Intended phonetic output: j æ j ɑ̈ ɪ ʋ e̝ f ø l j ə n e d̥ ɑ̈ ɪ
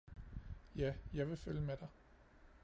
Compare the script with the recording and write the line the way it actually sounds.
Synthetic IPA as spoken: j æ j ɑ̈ ɪ ʋ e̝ f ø l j ə m e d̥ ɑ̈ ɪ